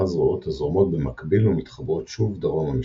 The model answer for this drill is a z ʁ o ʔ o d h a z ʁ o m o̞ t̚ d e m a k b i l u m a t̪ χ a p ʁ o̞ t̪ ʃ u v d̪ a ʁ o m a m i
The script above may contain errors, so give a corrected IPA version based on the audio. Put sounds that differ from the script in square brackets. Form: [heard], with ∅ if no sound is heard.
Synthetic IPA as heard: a z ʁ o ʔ o [t] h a z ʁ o m o̞ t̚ [b] e m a k b i l u m [i] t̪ χ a [b] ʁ o̞ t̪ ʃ u v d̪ a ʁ o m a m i